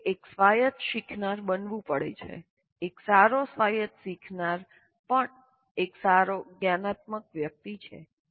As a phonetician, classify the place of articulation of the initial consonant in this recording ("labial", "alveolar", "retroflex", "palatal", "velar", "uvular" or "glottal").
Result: velar